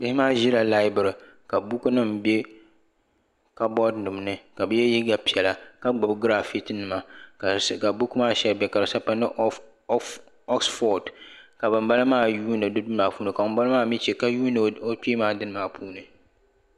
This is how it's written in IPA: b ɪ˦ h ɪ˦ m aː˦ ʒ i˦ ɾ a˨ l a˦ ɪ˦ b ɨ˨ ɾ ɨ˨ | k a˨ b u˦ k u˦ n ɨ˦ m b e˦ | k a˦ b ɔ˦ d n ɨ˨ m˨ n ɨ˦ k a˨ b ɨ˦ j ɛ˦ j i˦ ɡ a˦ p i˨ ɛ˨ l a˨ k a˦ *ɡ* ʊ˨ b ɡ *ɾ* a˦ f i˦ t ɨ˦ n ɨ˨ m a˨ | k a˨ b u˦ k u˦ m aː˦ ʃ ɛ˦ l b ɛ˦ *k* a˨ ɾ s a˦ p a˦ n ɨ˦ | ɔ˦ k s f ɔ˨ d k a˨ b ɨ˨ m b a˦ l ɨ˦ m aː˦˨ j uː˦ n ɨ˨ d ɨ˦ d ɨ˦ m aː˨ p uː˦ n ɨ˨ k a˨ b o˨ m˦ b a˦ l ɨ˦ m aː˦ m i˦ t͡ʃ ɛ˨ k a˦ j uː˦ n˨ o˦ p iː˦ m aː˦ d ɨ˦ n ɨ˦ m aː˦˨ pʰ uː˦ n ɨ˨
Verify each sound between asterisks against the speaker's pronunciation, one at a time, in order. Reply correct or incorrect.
incorrect, correct, correct

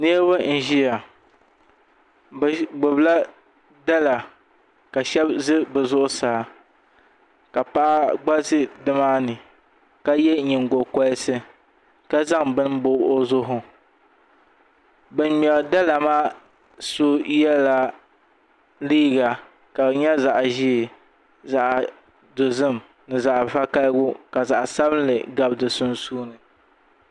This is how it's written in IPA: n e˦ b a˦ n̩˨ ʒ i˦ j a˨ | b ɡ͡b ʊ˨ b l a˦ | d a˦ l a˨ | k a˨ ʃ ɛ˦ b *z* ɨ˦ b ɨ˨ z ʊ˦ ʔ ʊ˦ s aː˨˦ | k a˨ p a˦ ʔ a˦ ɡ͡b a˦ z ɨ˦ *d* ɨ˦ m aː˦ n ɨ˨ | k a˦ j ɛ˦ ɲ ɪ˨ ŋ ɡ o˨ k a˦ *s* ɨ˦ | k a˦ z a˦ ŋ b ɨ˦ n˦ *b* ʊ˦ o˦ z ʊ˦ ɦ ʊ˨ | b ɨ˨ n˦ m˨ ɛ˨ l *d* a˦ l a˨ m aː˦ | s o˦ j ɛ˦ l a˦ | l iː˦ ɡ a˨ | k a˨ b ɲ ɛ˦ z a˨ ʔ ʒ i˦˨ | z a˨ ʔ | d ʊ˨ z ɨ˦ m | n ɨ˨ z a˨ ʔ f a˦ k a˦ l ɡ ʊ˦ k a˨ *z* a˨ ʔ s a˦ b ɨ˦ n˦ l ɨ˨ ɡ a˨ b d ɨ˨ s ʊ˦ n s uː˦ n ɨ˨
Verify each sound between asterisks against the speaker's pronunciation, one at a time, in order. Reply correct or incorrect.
correct, correct, correct, correct, correct, correct

